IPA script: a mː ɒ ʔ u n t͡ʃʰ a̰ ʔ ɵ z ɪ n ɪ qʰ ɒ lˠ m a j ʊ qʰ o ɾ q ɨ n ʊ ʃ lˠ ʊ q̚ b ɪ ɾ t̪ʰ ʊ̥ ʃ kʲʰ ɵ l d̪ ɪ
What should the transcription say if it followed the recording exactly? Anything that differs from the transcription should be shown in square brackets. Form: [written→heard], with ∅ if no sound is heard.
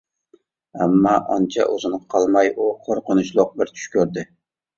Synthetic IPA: a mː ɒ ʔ [u→ɒ] n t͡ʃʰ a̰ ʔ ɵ z ɪ n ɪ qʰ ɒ lˠ m a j ʊ qʰ o ɾ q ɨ n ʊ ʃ lˠ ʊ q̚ b ɪ ɾ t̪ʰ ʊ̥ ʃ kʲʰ ɵ [l→ɾ] d̪ ɪ